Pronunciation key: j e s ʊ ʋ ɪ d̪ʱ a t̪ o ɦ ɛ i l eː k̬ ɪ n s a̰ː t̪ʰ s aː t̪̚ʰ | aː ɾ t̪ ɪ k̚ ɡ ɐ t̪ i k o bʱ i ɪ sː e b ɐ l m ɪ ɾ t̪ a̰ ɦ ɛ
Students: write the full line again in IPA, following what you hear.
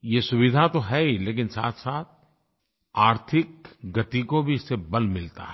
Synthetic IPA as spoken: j e s ʊ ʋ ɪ d̪ʱ a t̪ o ɦ ɛ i l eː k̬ ɪ n s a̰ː t̪ʰ s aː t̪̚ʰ | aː ɾ t̪ʰ ɪ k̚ ɡ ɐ t̪ i k o bʱ i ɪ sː e b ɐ l m ɪ l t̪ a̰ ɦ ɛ